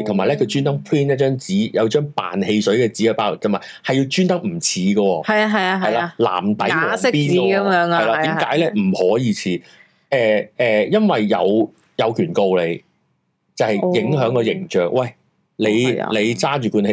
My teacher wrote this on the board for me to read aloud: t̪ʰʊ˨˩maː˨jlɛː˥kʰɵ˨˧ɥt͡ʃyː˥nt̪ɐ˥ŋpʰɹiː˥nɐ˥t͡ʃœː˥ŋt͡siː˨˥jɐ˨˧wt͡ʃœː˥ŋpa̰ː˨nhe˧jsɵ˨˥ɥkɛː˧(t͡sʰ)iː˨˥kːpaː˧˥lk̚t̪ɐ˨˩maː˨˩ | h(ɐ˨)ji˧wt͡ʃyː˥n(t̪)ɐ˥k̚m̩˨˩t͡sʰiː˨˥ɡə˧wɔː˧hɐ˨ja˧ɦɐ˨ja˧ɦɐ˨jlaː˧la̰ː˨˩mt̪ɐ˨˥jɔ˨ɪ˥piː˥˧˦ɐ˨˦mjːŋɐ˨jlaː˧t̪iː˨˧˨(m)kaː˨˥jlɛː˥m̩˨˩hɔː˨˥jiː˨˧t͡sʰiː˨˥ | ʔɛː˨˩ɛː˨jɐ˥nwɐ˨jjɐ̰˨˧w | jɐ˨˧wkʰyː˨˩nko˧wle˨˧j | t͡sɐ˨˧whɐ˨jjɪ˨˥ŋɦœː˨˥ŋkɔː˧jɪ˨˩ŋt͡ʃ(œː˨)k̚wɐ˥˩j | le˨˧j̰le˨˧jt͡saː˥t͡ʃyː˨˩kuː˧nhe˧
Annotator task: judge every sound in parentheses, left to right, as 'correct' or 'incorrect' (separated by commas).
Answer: incorrect, correct, correct, correct, correct